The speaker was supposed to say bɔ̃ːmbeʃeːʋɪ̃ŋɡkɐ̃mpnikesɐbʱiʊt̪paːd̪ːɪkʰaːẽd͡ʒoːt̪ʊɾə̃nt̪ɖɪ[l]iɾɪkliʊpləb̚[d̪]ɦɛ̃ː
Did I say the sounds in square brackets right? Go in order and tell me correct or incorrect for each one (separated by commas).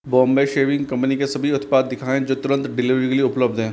correct, correct